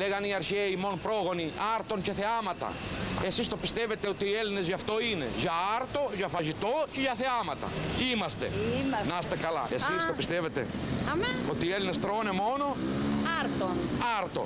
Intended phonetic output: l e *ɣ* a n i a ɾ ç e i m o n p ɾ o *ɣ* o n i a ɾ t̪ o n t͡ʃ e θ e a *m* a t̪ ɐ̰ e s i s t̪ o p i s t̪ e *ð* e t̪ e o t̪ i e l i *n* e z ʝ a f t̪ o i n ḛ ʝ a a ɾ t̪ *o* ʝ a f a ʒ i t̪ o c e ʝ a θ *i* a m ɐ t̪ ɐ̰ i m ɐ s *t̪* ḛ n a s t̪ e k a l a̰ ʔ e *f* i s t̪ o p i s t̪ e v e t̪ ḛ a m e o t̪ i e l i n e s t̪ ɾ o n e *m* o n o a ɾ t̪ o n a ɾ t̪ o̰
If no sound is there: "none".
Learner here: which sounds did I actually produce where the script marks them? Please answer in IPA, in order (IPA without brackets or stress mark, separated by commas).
ɣ, ɣ, m, v, n, o, e, t̪, s, m